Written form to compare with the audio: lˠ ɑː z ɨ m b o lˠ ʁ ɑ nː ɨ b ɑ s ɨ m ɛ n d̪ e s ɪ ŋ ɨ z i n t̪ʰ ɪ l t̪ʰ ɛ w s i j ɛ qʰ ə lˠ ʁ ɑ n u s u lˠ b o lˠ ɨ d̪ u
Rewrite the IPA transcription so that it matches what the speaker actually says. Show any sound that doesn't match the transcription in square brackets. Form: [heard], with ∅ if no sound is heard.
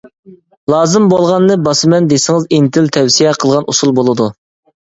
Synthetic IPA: lˠ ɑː z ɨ m b o lˠ ʁ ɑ nː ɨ b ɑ s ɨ m ɛ n d̪ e s ɪ ŋ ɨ z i n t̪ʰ ɪ l t̪ʰ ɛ w s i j ɛ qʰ ə lˠ ʁ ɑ n u s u lˠ b o lˠ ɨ d̪ u